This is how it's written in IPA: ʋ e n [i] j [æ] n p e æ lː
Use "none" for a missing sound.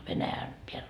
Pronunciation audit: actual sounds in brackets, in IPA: æ, æ

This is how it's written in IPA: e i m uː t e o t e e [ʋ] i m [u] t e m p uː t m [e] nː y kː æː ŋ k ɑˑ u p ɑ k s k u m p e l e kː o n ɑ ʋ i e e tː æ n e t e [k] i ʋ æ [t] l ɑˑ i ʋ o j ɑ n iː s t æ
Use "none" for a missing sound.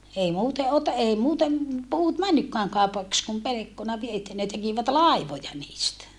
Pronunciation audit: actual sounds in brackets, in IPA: none, uː, æ, k, t

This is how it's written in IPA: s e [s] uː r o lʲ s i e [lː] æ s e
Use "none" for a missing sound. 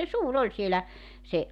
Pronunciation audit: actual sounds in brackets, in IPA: s, l

